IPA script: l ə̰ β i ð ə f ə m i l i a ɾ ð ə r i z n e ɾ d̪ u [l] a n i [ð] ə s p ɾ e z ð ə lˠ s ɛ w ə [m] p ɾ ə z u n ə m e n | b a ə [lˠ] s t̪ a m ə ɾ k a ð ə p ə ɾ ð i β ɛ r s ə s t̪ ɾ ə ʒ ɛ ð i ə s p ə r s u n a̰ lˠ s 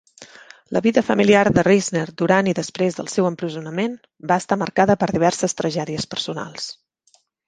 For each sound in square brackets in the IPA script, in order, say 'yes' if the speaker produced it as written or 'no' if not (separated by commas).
no, yes, yes, no